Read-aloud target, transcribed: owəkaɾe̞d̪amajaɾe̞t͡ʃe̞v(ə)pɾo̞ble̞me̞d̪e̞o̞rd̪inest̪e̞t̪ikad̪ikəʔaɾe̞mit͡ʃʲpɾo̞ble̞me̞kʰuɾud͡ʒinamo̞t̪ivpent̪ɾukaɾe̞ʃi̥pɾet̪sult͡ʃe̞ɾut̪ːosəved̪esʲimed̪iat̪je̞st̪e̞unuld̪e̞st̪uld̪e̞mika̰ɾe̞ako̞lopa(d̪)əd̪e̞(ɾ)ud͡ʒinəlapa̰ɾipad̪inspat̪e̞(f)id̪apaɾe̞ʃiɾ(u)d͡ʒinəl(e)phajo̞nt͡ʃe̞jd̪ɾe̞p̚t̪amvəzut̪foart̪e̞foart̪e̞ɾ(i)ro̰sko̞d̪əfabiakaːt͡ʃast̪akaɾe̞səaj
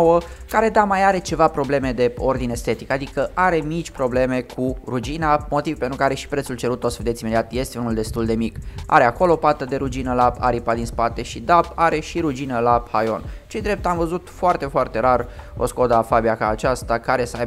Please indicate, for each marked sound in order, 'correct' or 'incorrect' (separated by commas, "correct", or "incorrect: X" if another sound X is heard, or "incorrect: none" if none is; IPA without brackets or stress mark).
incorrect: a, incorrect: t̪, correct, incorrect: ʃ, correct, incorrect: a, incorrect: a